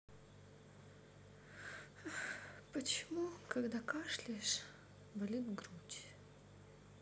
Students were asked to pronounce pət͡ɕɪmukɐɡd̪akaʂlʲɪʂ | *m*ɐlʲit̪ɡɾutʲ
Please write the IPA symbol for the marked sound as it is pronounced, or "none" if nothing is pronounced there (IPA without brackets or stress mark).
b